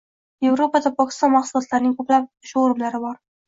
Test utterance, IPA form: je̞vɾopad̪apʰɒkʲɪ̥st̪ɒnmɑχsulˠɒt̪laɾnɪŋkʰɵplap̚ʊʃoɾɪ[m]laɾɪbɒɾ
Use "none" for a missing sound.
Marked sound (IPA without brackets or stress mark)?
m